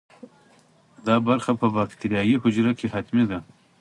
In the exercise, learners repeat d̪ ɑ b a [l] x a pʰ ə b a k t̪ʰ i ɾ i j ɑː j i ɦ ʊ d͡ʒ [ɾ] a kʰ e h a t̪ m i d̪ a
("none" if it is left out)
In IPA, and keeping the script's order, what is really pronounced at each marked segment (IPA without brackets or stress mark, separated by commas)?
ɾ, ɾ